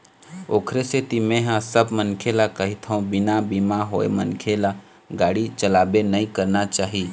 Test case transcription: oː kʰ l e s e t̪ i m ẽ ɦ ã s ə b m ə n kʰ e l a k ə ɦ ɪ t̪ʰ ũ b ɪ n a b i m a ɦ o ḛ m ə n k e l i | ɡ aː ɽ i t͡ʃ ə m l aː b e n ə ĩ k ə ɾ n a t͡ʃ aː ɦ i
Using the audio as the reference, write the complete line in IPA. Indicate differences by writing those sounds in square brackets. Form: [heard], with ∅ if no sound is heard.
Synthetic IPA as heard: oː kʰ [ɾ] e s e t̪ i m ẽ ɦ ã s ə b m ə n kʰ e l a k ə ɦ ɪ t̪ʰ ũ b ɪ n a b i m a ɦ o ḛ m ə n [kʰ] e l [a] | ɡ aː ɽ i t͡ʃ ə [∅] l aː b e n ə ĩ k ə ɾ n a t͡ʃ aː ɦ i